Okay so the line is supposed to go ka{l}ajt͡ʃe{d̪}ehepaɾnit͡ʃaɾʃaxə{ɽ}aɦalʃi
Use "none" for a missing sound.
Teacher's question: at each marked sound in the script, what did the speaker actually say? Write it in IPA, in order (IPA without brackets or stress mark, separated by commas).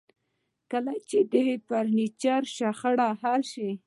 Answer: l, d̪, ɽ